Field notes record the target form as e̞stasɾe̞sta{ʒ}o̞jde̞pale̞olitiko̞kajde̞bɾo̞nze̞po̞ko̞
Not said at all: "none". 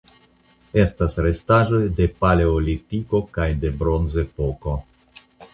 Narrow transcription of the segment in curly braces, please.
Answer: ʒ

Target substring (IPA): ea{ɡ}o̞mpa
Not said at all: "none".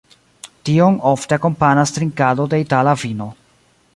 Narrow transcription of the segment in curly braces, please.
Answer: k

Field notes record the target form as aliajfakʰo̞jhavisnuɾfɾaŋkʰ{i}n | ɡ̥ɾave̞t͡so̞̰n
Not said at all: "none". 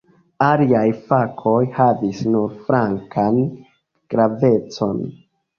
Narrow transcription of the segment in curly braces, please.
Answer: a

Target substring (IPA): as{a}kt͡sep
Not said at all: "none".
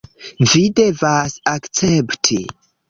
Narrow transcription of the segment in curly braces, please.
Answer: a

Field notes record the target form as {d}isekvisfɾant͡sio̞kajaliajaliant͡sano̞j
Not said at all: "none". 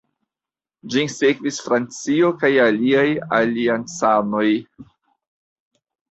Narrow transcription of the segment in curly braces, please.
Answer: d͡ʒ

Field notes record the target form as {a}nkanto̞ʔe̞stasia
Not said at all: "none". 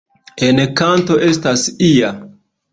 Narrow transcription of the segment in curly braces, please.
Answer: e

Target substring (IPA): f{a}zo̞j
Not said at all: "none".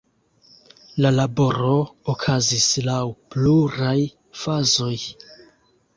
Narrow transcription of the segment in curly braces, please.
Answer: a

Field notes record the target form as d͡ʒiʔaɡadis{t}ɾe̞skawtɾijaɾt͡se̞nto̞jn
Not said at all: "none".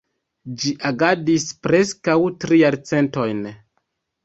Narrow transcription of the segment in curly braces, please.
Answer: p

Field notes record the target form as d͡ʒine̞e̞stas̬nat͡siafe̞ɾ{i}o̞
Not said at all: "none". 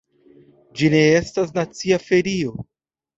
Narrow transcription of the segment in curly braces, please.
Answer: i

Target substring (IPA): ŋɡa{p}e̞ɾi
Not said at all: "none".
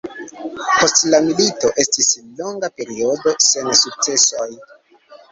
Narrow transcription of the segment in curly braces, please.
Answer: p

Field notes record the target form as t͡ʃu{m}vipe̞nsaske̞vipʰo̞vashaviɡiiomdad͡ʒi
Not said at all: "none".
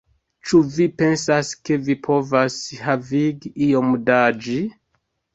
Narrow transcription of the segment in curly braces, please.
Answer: none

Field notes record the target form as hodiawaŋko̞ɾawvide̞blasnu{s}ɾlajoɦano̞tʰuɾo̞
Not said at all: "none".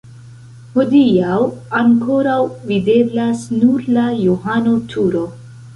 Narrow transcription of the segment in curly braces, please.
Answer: none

